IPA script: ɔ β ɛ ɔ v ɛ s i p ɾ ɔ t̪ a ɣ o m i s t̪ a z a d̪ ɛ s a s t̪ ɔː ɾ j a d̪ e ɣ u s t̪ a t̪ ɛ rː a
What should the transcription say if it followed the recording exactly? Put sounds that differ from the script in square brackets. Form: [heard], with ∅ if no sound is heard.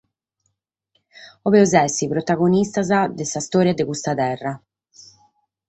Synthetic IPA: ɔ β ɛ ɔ [z] ɛ s i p ɾ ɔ t̪ a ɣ o [n] i s t̪ a z a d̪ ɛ s a s t̪ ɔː ɾ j a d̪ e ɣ u s t̪ a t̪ ɛ rː a